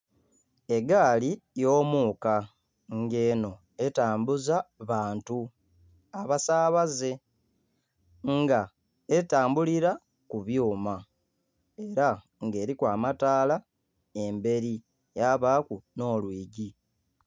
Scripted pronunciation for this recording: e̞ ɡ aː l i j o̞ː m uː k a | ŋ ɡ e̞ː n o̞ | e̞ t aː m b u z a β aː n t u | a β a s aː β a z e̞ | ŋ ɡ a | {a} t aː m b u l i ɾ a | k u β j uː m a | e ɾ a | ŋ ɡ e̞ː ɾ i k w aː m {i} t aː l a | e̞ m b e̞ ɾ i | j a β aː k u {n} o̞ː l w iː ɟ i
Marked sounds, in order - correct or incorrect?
incorrect, incorrect, correct

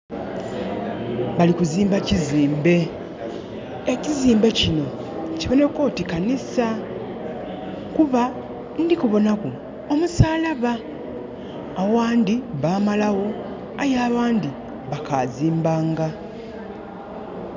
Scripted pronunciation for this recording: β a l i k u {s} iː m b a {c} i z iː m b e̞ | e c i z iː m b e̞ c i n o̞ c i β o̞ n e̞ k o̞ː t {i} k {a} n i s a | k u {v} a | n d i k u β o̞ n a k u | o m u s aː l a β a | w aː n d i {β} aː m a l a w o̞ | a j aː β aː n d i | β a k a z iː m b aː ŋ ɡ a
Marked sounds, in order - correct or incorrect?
incorrect, correct, correct, correct, incorrect, correct

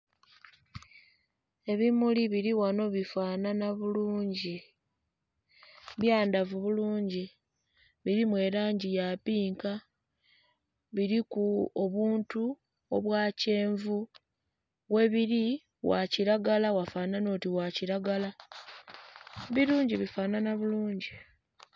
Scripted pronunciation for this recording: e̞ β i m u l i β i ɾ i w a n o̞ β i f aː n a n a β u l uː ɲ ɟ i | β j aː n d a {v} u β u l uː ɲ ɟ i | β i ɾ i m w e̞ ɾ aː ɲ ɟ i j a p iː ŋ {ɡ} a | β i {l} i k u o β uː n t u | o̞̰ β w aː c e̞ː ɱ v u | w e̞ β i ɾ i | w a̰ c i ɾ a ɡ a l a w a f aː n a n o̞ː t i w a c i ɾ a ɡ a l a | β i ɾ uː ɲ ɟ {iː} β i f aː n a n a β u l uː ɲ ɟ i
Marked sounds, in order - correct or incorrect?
correct, incorrect, incorrect, incorrect

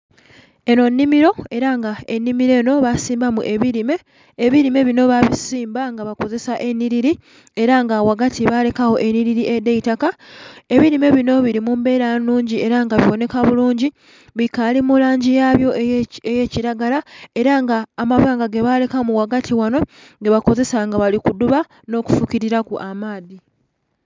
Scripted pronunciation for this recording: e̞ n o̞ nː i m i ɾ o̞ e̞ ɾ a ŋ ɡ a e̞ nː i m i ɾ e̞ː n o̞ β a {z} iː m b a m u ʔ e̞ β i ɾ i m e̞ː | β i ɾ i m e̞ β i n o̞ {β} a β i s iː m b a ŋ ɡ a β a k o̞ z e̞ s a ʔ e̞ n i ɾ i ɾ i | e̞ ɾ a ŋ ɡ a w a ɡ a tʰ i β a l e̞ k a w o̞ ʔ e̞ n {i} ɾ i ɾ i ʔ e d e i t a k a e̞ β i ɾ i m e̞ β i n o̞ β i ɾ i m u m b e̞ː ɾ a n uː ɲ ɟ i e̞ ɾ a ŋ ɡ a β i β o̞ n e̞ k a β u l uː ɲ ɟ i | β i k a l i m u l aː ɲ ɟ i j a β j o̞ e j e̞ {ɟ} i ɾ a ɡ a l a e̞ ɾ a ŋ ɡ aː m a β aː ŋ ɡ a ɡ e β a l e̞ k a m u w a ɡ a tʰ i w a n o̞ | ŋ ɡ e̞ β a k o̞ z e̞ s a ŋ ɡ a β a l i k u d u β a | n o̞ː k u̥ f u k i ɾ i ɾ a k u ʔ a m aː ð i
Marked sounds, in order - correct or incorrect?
incorrect, correct, correct, incorrect

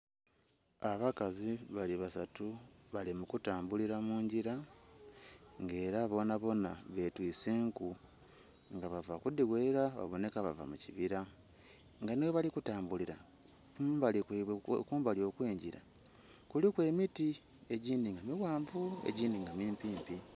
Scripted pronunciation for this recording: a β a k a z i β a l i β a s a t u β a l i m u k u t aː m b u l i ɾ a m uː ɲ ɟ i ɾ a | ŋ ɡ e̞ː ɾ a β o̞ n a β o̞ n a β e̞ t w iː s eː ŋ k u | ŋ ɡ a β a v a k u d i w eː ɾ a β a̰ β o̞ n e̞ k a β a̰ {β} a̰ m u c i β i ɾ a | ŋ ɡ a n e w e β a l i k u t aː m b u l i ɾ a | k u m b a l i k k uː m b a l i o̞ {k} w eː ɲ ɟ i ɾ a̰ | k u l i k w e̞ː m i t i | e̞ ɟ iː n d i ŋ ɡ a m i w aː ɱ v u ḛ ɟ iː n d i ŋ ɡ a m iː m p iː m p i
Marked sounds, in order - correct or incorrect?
incorrect, correct

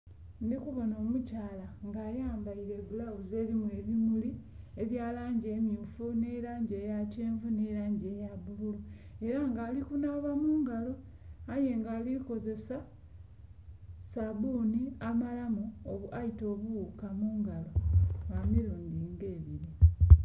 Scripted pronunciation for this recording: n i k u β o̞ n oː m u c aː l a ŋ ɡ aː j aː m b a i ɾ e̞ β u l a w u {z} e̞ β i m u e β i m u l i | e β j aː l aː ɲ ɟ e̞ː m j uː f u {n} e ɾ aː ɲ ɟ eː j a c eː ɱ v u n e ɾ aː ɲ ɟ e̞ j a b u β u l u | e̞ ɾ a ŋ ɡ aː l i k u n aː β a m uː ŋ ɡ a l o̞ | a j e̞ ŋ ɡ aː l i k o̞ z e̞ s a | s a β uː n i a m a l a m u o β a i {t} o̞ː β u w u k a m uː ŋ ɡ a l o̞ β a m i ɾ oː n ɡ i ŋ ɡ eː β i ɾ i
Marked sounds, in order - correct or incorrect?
correct, correct, correct

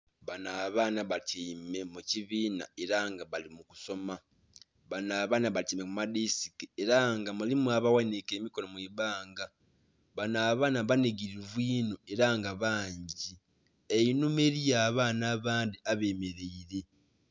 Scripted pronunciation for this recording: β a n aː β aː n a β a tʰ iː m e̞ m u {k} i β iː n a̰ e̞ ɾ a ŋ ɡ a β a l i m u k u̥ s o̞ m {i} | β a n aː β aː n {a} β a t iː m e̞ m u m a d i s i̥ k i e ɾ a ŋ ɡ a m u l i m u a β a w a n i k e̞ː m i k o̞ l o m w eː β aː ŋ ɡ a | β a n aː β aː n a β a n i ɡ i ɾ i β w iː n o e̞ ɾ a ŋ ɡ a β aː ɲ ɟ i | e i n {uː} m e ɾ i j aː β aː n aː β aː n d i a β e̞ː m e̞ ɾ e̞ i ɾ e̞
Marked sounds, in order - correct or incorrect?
incorrect, incorrect, correct, incorrect

